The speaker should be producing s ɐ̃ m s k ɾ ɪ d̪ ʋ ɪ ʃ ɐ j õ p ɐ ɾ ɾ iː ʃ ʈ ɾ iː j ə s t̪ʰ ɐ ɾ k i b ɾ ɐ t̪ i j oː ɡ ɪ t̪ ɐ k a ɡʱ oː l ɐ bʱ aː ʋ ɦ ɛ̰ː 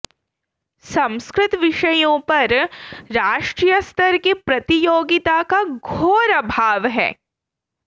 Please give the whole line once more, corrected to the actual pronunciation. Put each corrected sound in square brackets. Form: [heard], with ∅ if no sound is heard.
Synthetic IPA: s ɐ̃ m s k ɾ ɪ [t̪] ʋ ɪ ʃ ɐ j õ p ɐ ɾ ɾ [aː] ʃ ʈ ɾ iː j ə s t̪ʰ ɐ ɾ k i [p] ɾ ɐ t̪ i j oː ɡ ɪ t̪ [a] k a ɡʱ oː [ɾ] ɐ bʱ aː ʋ ɦ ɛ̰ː

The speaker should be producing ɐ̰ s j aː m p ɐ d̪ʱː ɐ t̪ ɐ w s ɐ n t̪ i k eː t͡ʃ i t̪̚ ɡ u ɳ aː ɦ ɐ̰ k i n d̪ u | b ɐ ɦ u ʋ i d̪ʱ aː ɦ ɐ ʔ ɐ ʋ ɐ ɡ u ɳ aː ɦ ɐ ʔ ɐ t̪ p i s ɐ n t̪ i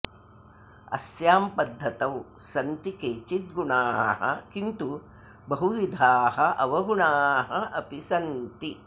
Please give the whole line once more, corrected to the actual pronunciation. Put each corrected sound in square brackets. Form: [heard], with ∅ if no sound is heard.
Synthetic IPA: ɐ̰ s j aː m p ɐ d̪ʱː ɐ t̪ ɐ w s ɐ n t̪ i k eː t͡ʃ i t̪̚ ɡ u ɳ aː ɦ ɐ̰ k i n [t̪] u | b ɐ ɦ u ʋ i d̪ʱ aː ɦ ɐ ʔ ɐ ʋ ɐ ɡ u ɳ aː ɦ ɐ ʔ ɐ [∅] p i s ɐ n t̪ i

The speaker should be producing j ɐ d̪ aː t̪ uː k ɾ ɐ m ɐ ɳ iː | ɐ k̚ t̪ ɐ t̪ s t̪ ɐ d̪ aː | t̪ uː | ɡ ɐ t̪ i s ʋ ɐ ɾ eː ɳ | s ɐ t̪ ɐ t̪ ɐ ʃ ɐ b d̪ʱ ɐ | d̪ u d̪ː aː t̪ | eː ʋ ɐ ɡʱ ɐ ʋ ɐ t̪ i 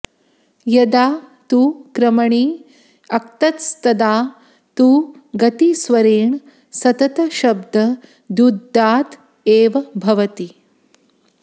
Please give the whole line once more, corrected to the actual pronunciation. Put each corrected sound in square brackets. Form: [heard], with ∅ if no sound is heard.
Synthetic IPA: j ɐ d̪ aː t̪ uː k ɾ ɐ m ɐ ɳ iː | ɐ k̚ t̪ ɐ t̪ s t̪ ɐ d̪ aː | t̪ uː | ɡ ɐ t̪ i s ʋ ɐ ɾ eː ɳ | s ɐ t̪ ɐ t̪ ɐ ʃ ɐ b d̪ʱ ɐ | d̪ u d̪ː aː t̪ | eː ʋ ɐ [bʱ] ɐ ʋ ɐ t̪ i

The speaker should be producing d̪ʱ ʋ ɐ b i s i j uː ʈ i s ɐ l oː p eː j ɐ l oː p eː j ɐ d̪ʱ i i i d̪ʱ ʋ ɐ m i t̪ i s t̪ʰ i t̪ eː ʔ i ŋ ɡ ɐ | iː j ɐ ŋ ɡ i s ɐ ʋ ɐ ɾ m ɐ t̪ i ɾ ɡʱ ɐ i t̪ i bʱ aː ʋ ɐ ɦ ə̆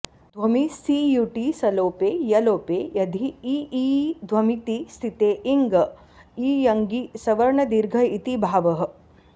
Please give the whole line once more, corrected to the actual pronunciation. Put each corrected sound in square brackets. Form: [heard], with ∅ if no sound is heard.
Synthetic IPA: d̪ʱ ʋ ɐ [m] i s i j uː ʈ i s ɐ l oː p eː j ɐ l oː p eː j ɐ d̪ʱ i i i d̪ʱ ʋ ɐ m i t̪ i s t̪ʰ i t̪ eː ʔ i ŋ ɡ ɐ | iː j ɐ ŋ ɡ i s ɐ ʋ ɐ ɾ [ɳ] ɐ [d̪] i ɾ ɡʱ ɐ i t̪ i bʱ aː ʋ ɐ ɦ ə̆

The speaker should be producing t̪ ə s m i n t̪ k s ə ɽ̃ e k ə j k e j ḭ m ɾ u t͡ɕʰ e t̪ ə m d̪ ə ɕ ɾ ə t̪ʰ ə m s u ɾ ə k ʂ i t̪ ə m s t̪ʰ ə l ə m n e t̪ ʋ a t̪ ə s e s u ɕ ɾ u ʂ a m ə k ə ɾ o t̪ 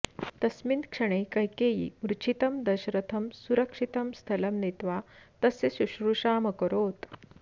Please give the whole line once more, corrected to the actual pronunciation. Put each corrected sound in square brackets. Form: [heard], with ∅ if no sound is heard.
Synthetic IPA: t̪ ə s m i n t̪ k [ʂ] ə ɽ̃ e k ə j k e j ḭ m ɾ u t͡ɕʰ [i] t̪ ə m d̪ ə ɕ ɾ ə t̪ʰ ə m s u ɾ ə k ʂ i t̪ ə m s t̪ʰ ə l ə m n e t̪ ʋ a t̪ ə s e s u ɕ ɾ u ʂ a m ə k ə ɾ o t̪

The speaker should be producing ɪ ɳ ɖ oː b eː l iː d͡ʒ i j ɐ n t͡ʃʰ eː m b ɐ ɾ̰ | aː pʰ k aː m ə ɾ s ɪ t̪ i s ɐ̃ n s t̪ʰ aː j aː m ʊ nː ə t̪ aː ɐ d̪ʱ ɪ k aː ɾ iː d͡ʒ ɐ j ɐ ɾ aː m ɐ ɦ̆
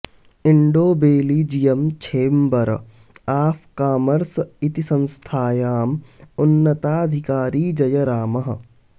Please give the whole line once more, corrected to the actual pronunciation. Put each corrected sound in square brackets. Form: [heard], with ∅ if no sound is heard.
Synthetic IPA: ɪ ɳ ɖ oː b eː l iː d͡ʒ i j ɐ [m] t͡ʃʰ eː m b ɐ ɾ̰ | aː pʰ k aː m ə ɾ s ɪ t̪ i s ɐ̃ n s t̪ʰ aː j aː m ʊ nː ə t̪ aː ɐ d̪ʱ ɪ k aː ɾ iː d͡ʒ ɐ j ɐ ɾ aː m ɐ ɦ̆

